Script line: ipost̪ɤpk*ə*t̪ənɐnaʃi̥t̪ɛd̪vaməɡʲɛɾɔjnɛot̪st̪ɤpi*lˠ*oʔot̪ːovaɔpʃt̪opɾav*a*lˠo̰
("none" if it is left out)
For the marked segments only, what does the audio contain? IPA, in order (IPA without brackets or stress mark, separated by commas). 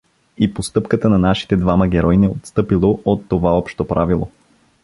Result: ə, lˠ, i